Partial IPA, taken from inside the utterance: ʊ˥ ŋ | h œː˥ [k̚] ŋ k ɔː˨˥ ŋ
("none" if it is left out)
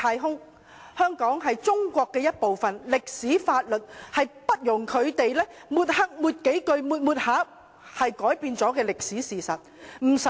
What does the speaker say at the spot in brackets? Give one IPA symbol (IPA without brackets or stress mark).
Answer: none